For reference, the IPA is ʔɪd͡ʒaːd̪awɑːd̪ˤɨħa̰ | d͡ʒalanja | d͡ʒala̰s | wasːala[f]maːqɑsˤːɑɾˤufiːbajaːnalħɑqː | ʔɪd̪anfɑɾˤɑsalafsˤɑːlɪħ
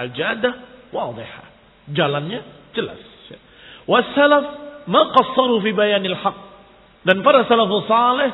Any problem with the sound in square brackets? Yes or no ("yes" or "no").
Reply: no